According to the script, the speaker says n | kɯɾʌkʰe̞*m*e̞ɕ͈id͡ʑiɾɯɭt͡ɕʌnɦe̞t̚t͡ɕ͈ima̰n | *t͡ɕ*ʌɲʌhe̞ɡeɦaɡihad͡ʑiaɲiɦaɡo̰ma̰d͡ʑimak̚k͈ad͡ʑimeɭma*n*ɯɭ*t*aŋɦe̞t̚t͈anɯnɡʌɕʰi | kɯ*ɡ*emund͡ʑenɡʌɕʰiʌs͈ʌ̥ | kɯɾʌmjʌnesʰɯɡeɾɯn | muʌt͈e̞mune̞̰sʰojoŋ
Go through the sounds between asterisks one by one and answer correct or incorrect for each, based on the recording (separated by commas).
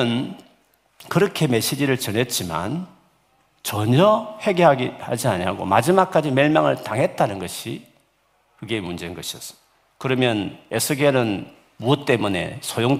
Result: correct, correct, incorrect, correct, correct